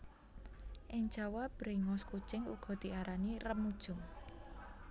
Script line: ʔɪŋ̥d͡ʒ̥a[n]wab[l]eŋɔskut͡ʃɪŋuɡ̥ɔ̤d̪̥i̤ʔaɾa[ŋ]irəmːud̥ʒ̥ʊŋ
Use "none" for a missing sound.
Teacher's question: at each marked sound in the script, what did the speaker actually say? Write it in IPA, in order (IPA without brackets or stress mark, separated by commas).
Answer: none, ɾ, n